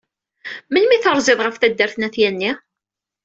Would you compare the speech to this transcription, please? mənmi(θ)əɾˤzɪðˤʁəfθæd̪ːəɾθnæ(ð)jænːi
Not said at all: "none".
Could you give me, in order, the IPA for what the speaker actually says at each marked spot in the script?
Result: θ, θ

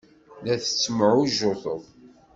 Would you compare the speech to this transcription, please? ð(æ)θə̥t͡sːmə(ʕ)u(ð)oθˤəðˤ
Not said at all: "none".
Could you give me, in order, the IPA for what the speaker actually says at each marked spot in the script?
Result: æ, ʕ, ʒ

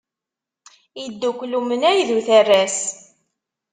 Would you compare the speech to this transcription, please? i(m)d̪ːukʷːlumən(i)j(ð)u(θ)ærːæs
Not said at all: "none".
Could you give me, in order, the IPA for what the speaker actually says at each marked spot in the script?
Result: none, æ, ð, θ

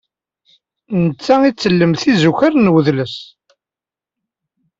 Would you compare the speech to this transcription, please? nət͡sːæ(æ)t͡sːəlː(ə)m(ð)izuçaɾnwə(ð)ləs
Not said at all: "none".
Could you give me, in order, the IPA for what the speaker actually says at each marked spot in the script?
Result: i, ə, θ, ð

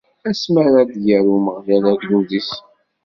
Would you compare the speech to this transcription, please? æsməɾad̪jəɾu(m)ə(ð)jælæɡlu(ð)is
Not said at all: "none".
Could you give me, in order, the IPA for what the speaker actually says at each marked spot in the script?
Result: m, ʁ, ð

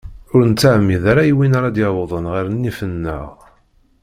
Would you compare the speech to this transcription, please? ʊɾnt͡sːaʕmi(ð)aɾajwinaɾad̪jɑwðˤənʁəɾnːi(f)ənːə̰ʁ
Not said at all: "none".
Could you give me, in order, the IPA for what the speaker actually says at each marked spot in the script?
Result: ð, f

